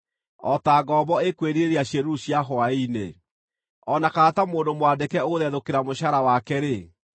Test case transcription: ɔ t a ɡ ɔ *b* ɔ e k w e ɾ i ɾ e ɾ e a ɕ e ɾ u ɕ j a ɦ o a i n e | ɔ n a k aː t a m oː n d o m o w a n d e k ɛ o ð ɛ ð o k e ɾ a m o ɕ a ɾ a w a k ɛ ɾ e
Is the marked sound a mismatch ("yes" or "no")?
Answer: no